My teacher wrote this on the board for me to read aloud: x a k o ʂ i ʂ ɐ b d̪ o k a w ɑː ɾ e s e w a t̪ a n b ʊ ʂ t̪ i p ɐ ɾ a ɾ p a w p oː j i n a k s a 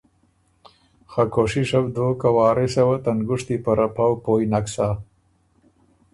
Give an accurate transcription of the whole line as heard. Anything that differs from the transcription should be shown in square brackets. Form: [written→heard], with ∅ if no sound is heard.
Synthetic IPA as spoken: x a k o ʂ i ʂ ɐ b d̪ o k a w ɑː ɾ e s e w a t̪ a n [b→ɡ] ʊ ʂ t̪ i p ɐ ɾ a [ɾ→∅] p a w p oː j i n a k s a